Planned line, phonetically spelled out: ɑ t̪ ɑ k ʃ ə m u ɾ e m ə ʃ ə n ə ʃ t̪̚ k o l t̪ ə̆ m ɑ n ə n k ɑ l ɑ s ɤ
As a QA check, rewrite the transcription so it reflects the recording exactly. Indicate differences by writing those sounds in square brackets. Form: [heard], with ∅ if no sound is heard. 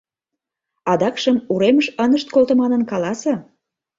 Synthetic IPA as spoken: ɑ [d̪] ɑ k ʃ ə m u ɾ e m ə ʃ ə n ə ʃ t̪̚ k o l t̪ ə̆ m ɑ n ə n k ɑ l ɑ s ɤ